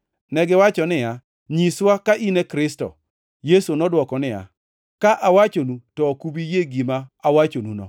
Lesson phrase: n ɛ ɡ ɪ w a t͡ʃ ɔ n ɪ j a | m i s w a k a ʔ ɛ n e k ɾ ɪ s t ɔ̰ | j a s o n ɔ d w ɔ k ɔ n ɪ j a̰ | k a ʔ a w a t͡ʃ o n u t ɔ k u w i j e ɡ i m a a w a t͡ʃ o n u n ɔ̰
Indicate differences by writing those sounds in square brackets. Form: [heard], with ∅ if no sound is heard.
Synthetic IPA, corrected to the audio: n ɛ ɡ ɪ w a t͡ʃ ɔ n ɪ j a | [ɲ] i s w a k a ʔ [i] n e k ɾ ɪ s t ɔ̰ | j [e] s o n ɔ d w ɔ k ɔ n ɪ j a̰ | k a ʔ a w a t͡ʃ o n u t ɔ k u [b] i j e ɡ i m a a w a t͡ʃ o n u n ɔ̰

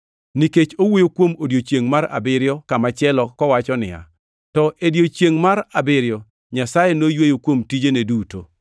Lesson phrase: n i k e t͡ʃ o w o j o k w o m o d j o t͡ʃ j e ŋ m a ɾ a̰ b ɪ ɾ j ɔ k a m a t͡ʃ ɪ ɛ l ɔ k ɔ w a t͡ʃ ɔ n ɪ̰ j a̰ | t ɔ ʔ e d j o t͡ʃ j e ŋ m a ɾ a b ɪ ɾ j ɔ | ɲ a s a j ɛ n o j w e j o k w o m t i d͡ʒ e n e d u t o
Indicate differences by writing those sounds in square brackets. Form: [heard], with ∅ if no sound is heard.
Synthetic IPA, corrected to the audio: n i k e t͡ʃ o w o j o k w o m o d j o t͡ʃ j e ŋ m a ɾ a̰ b ɪ ɾ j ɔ k a m a t͡ʃ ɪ ɛ l ɔ k ɔ w a t͡ʃ ɔ n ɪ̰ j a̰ | t ɔ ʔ e d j o t͡ʃ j e ŋ m a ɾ a b ɪ ɾ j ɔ | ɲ a s a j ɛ n o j w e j o k w o m t i d͡ʒ e n e d u t o

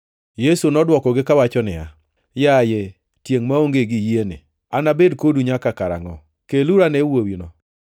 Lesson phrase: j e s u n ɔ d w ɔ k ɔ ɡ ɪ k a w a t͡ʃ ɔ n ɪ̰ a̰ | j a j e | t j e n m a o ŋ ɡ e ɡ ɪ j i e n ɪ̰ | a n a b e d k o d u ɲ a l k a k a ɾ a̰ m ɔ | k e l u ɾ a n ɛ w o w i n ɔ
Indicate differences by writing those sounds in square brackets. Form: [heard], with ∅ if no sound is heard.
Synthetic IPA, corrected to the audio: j e s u n ɔ d w ɔ k ɔ ɡ ɪ k a w a t͡ʃ ɔ n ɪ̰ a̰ | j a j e | t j e [ŋ] m a o ŋ ɡ e ɡ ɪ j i e n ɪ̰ | a n a b e d k o d u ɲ a [∅] k a k a ɾ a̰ [ŋ] ɔ | k e l u ɾ a n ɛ w o w i n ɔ

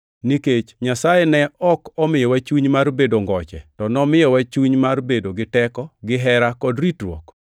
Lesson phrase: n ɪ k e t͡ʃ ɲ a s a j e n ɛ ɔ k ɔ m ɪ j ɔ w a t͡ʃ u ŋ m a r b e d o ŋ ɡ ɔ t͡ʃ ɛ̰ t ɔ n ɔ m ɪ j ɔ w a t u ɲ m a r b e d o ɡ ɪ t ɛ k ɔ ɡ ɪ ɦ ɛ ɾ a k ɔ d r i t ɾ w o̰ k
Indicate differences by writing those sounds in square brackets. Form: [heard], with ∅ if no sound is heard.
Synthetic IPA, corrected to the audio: n [i] k e t͡ʃ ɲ a s a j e n ɛ ɔ k ɔ m ɪ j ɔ w a t͡ʃ u [ɲ] m a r b e d o ŋ ɡ ɔ t͡ʃ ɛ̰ t ɔ n ɔ m ɪ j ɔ w a [t͡ʃ] u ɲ m a r b e d o ɡ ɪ t ɛ k ɔ ɡ ɪ ɦ ɛ ɾ a k ɔ d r i t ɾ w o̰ k

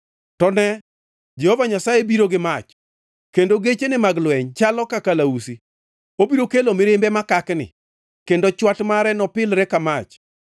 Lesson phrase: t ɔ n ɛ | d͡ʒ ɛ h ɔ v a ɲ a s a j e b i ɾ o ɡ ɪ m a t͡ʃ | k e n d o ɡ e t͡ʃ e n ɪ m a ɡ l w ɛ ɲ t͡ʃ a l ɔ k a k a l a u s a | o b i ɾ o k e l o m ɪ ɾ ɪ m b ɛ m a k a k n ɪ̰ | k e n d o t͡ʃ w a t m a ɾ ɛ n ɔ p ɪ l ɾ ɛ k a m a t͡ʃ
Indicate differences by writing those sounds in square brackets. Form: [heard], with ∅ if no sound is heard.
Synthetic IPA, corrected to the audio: t ɔ n ɛ | d͡ʒ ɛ h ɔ v a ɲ a s a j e b i ɾ o ɡ ɪ m a t͡ʃ | k e n d o ɡ e t͡ʃ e n ɪ m a ɡ l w ɛ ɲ t͡ʃ a l ɔ k a k a l a u s [i] | o b i ɾ o k e l o m ɪ ɾ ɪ m b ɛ m a k a k n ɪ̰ | k e n d o t͡ʃ w a t m a ɾ ɛ n ɔ p ɪ l ɾ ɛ k a m a t͡ʃ

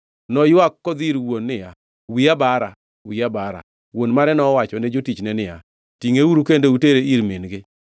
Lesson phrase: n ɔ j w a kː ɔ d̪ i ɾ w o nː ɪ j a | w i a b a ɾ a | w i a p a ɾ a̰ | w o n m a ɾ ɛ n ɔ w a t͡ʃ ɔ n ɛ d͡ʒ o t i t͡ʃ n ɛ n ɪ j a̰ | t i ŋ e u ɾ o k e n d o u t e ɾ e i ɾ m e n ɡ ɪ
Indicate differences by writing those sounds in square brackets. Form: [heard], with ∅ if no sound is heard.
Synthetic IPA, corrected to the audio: n ɔ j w a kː ɔ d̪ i ɾ w o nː ɪ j a | w i a b a ɾ a | w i a [b] a ɾ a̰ | w o n m a ɾ ɛ n ɔ w a t͡ʃ ɔ n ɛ d͡ʒ o t i t͡ʃ n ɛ n ɪ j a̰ | t i ŋ e u ɾ [u] k e n d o u t e ɾ e i ɾ m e n ɡ ɪ

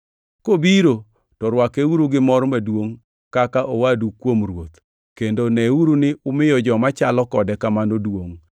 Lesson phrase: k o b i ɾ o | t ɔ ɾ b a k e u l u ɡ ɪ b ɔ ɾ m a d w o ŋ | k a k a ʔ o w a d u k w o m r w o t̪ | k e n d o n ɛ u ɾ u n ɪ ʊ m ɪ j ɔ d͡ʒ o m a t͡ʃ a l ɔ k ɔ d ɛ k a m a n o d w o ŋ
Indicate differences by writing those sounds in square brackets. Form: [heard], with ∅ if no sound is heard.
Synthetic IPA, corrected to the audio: k o b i ɾ o | t ɔ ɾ [w] a k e u [ɾ] u ɡ ɪ [m] ɔ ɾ m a d w o ŋ | k a k a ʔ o w a d u k w o m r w o t̪ | k e n d o n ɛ u ɾ u n ɪ ʊ m ɪ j ɔ d͡ʒ [ɔ] m a t͡ʃ a l ɔ k ɔ d ɛ k a m a n o d w o ŋ

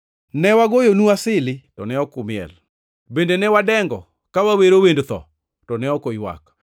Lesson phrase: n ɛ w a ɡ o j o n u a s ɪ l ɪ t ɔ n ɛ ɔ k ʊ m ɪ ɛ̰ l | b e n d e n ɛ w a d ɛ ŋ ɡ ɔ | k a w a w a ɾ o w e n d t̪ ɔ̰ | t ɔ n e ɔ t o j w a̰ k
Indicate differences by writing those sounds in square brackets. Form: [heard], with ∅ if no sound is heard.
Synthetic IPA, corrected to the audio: n ɛ w a ɡ o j o n u a s ɪ l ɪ t ɔ n ɛ ɔ k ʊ m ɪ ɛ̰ l | b e n d e n ɛ w a d ɛ ŋ ɡ ɔ | k a w a w [e] ɾ o w e n d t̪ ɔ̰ | t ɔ n [ɛ] ɔ [k] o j w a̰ k

